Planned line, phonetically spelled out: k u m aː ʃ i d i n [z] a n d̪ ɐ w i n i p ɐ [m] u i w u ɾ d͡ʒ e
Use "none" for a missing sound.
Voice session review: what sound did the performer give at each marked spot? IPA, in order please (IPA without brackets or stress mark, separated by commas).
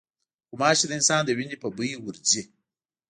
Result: s, b